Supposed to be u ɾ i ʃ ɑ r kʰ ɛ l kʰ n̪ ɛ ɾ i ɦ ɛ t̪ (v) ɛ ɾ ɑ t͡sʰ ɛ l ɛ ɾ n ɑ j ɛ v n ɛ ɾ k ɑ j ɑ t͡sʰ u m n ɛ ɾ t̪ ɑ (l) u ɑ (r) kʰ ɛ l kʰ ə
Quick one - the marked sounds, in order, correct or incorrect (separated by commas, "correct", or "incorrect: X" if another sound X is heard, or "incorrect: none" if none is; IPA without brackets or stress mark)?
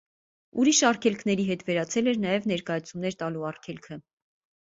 correct, correct, correct